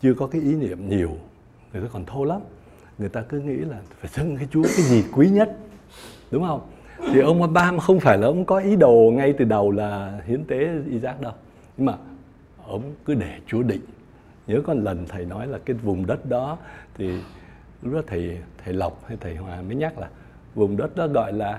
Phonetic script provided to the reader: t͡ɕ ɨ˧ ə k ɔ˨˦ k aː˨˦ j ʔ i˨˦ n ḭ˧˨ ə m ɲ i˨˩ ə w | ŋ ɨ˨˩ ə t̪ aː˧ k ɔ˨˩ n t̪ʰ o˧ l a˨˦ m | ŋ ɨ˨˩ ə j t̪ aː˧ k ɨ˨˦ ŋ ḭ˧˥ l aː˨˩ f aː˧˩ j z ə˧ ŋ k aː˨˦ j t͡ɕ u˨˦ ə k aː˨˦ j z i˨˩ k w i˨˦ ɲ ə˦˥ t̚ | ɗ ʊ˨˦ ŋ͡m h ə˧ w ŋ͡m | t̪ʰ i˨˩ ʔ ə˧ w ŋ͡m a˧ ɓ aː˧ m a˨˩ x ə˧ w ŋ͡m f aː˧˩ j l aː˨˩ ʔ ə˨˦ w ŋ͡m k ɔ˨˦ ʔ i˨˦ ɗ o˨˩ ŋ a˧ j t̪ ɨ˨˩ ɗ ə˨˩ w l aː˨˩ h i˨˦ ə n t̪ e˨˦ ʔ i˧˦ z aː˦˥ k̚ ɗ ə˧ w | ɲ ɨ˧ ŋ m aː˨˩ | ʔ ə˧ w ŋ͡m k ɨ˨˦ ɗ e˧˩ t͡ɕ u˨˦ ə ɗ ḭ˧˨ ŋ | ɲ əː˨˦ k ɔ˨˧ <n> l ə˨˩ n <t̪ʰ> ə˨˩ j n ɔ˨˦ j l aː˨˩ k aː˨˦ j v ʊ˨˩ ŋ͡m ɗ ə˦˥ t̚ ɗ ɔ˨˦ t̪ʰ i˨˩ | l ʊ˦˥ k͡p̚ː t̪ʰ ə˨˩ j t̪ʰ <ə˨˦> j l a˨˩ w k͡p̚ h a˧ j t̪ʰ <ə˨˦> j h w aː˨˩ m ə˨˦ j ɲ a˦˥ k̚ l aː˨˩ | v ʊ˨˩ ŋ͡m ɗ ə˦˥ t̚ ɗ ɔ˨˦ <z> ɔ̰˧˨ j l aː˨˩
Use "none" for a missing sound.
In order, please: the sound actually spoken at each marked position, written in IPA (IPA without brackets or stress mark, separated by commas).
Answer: n, t̪ʰ, ə˨˩, ə˨˩, ɣ